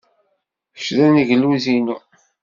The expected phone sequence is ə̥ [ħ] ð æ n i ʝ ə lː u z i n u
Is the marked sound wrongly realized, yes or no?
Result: yes